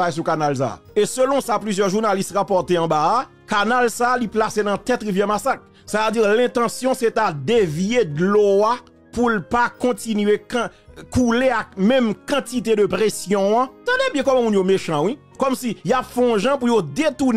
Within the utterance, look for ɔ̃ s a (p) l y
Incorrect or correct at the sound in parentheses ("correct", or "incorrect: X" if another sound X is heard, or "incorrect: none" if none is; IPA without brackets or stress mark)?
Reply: correct